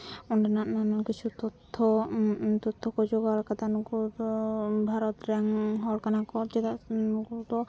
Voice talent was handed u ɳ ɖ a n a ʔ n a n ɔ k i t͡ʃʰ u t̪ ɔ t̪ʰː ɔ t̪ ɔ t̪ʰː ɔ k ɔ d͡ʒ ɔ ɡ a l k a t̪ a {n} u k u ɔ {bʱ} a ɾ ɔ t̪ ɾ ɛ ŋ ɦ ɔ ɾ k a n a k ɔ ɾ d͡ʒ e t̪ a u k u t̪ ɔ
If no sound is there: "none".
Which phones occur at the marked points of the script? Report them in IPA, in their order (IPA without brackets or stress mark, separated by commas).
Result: n, bʱ